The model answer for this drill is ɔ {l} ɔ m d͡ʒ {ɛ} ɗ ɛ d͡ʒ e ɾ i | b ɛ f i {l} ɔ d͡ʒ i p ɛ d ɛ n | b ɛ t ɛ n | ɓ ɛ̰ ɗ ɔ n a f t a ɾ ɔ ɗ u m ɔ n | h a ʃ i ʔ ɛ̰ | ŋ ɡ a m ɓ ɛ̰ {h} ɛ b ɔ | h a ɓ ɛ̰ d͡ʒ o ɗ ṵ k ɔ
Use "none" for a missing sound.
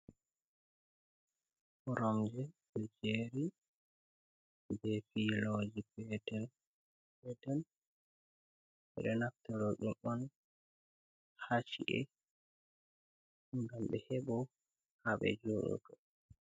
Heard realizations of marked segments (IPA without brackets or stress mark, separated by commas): ɾ, ɛ, l, h